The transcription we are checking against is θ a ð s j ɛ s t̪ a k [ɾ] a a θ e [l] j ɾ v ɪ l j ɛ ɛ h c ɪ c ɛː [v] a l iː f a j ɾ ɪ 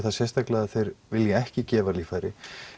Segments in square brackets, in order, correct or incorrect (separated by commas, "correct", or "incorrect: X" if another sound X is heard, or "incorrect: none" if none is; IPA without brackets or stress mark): incorrect: l, incorrect: none, correct